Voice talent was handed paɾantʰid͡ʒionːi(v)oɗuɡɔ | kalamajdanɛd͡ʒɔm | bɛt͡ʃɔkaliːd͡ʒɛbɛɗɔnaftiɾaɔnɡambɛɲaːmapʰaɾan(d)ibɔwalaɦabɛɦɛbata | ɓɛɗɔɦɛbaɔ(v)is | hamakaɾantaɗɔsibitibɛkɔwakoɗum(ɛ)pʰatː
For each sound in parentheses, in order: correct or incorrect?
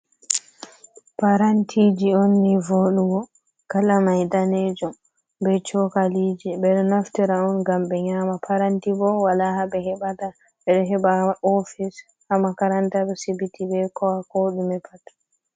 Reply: correct, incorrect, incorrect, correct

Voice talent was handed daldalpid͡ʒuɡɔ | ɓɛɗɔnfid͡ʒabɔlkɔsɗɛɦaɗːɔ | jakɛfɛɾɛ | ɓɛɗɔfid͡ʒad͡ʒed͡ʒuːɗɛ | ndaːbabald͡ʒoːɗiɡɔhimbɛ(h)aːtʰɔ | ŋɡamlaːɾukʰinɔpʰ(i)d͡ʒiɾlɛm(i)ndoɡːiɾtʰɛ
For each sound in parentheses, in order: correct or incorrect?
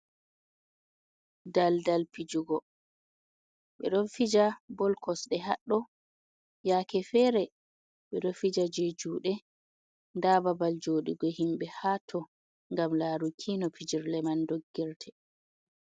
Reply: correct, correct, incorrect

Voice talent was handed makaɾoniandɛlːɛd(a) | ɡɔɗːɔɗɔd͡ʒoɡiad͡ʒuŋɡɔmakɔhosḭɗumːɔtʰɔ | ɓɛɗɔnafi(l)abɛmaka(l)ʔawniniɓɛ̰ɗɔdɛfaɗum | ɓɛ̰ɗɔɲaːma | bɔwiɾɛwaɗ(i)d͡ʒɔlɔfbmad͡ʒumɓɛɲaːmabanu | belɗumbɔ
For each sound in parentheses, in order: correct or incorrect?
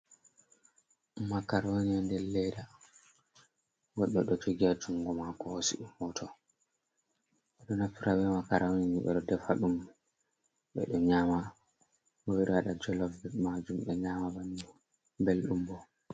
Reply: correct, incorrect, incorrect, incorrect

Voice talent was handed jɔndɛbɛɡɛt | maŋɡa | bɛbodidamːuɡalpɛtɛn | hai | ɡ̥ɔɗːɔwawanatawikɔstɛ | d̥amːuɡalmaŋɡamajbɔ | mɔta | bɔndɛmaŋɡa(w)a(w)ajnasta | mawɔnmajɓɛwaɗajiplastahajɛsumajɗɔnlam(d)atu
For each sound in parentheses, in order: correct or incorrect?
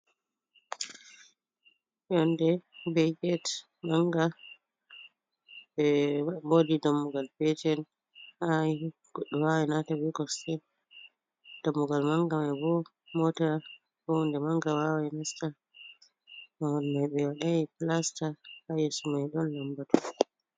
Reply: correct, correct, incorrect

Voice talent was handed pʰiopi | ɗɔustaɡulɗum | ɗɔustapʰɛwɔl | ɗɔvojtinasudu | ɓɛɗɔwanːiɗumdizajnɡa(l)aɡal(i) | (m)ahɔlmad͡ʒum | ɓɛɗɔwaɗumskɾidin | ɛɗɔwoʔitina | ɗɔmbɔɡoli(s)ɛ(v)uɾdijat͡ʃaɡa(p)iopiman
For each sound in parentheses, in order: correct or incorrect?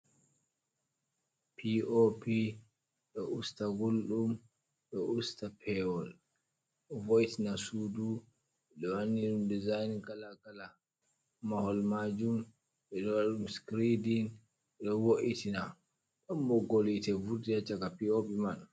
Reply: correct, incorrect, correct, incorrect, correct, correct

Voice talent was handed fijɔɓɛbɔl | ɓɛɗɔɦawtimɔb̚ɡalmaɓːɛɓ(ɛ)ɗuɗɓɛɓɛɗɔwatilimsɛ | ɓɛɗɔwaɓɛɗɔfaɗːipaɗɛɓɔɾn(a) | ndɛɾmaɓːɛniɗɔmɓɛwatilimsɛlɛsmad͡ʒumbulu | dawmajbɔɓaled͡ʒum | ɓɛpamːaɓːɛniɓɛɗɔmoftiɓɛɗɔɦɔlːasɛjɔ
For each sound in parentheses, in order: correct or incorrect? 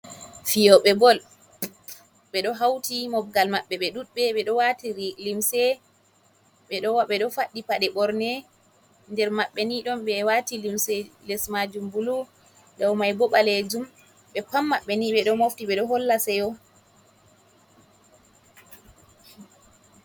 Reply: correct, incorrect

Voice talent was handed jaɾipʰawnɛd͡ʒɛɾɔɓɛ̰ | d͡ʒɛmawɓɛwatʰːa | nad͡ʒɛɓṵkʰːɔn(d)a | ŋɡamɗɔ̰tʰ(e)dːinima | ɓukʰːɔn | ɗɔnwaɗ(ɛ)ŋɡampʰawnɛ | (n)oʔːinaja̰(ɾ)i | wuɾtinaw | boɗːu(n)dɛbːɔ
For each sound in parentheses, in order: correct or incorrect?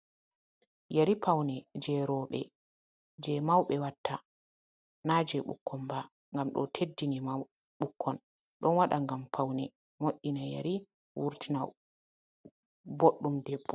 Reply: incorrect, correct, incorrect, incorrect, correct, incorrect

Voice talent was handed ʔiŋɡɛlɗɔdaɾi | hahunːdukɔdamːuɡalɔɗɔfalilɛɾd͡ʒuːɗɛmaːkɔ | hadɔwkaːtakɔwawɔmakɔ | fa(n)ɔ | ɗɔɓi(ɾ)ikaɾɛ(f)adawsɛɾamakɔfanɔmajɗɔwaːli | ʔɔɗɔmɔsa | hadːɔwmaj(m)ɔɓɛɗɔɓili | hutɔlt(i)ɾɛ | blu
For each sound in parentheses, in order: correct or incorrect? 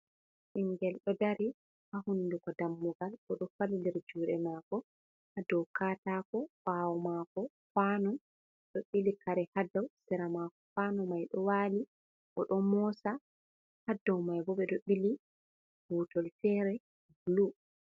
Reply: correct, incorrect, incorrect, incorrect, incorrect

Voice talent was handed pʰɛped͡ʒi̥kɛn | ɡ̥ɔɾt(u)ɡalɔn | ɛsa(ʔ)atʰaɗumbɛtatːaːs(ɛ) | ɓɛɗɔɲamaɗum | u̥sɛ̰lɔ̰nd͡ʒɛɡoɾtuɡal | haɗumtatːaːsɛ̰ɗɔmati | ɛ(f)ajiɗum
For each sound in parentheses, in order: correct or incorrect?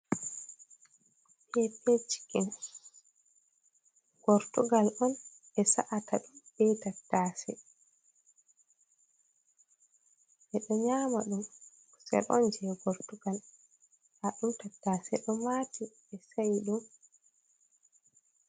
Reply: correct, correct, correct, incorrect

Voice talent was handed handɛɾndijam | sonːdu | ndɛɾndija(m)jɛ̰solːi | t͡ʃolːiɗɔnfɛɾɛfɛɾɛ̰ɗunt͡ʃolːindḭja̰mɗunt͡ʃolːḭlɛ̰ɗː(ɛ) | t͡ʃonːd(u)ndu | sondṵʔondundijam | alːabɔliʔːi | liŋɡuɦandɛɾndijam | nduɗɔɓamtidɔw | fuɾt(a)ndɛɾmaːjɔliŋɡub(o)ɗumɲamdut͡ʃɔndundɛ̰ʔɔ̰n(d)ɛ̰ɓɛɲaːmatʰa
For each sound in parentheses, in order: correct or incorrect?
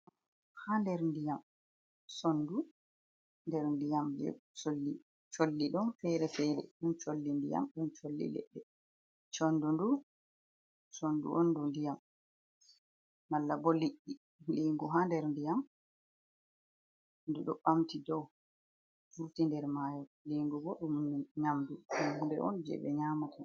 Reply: correct, correct, correct, incorrect, incorrect, incorrect

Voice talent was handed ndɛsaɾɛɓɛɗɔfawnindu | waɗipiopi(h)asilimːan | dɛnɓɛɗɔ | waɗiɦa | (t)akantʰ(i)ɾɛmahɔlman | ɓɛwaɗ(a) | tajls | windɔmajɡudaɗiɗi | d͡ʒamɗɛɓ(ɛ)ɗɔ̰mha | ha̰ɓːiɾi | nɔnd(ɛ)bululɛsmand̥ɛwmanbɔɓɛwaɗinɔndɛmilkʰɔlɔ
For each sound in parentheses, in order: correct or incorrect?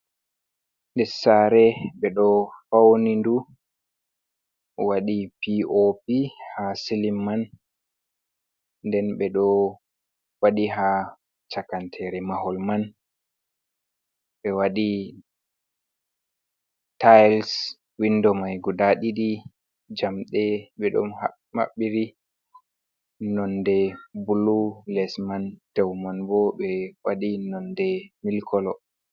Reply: correct, incorrect, incorrect, incorrect, correct, correct

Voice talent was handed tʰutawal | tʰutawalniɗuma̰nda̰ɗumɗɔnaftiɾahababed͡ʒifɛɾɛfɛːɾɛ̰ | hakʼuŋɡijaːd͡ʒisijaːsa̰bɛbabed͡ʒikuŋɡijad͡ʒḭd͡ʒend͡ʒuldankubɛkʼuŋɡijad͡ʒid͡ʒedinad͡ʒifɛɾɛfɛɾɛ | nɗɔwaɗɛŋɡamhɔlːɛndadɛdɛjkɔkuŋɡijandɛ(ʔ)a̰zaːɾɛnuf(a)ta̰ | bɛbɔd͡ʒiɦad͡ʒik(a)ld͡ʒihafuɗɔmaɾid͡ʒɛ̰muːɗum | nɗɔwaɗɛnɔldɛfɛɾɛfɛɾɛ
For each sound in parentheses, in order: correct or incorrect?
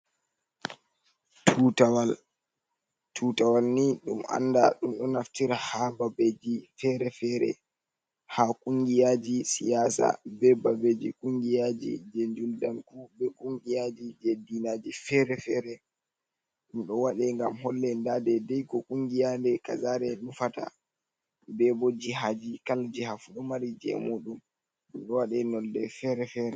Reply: incorrect, correct, correct

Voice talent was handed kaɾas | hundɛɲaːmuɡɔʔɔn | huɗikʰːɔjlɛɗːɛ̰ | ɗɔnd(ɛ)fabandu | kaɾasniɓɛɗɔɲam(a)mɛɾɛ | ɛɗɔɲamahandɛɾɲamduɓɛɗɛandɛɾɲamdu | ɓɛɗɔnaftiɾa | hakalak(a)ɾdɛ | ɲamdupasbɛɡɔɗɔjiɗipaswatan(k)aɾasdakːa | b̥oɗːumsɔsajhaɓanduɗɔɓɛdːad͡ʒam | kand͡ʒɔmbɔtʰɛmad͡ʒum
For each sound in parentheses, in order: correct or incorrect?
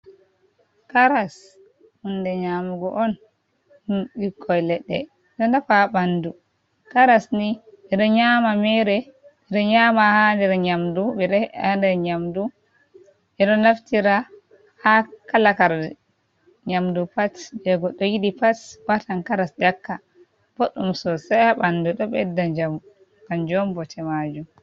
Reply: incorrect, correct, correct, correct

